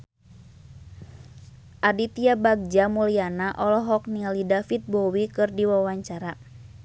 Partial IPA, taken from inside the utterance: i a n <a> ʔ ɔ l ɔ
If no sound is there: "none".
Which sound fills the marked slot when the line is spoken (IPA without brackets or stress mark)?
a